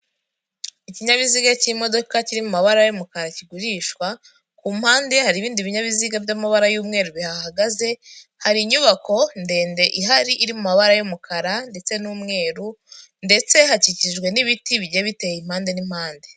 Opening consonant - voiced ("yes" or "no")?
no